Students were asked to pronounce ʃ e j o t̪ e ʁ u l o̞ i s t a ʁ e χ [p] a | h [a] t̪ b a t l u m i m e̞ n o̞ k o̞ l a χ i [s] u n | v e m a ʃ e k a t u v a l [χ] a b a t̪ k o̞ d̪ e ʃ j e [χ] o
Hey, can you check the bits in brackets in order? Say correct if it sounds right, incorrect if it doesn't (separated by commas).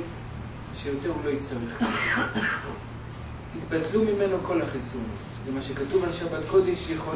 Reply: incorrect, incorrect, correct, incorrect, correct